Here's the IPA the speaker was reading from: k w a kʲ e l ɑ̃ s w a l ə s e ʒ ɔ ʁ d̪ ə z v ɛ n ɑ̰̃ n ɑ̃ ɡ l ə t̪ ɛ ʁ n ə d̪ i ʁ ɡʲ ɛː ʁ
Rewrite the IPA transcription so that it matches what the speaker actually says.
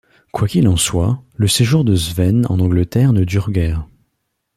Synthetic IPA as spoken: k w a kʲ i l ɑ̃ s w a l ə s e ʒ u ʁ d̪ ə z v ɛ n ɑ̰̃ n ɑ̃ ɡ l ə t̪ ɛ ʁ n ə d̪ y ʁ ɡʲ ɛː ʁ